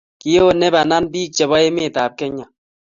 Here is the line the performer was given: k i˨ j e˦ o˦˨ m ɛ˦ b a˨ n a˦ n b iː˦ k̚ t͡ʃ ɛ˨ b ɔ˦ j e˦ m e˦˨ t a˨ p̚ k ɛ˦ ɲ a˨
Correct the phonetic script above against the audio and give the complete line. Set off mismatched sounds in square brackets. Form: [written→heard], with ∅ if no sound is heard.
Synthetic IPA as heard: k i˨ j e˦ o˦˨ [m→n] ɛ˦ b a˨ n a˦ n b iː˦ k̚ t͡ʃ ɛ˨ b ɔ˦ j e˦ m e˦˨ t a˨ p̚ k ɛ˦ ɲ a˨